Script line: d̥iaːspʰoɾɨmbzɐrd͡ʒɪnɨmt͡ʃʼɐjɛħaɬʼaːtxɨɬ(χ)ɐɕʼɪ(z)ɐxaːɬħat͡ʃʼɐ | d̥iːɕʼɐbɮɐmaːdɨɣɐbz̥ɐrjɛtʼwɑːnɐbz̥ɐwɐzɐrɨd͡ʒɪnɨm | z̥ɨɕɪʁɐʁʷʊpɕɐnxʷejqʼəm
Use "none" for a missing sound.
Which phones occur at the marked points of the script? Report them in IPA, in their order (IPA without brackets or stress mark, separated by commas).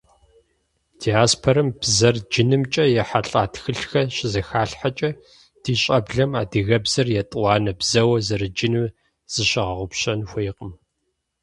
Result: x, z